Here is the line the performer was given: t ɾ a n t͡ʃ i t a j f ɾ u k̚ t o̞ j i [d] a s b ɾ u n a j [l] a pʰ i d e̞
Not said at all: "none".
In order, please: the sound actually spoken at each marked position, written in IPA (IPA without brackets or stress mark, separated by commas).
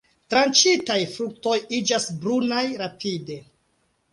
d͡ʒ, ɾ